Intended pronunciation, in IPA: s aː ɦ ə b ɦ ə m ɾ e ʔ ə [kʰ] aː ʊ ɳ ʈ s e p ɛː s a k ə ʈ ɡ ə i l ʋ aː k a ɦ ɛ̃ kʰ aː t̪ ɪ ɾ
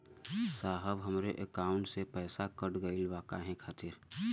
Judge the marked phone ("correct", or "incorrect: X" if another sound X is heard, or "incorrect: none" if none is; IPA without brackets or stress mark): incorrect: k